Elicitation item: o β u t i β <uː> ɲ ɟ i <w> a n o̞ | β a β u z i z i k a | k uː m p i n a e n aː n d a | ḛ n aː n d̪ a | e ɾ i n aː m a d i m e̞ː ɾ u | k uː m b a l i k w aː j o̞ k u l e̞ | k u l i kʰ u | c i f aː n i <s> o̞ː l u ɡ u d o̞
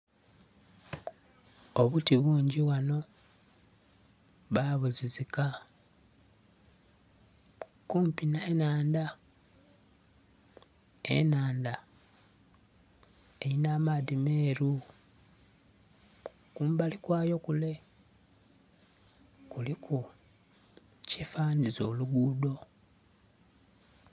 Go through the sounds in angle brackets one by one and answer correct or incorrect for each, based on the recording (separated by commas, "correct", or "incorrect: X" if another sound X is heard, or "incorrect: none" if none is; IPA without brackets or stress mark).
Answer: correct, correct, incorrect: z